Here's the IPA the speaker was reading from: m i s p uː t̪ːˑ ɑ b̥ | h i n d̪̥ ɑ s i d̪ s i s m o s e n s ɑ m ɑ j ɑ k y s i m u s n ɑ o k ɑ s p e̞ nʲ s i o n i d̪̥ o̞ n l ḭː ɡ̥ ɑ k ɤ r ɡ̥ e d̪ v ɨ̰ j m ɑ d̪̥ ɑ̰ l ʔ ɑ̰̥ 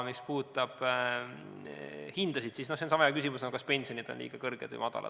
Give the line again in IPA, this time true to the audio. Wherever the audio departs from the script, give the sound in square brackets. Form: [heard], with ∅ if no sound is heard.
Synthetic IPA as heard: m i s p uː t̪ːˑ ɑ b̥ | h i n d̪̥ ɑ s i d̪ s i s [n] o s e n s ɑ m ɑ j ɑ k y s i m u s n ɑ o k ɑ s p e̞ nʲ s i o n i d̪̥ o̞ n l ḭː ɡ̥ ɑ k ɤ r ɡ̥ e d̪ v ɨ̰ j m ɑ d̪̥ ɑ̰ l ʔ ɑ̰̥